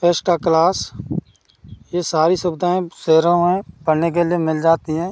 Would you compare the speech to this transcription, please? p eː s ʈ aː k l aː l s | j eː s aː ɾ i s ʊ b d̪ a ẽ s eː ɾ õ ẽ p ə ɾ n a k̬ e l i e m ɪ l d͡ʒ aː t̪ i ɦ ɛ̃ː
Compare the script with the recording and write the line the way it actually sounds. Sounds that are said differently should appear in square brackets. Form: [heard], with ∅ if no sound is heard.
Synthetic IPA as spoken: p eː s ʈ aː k l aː [∅] s | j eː s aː ɾ i s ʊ b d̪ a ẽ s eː ɾ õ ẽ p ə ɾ n [e] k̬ e l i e m ɪ l d͡ʒ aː t̪ i ɦ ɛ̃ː